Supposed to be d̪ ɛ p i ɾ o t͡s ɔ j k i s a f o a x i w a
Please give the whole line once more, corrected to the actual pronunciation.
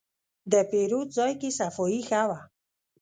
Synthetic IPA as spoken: d̪ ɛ p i ɾ u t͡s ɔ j k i s a f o i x a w a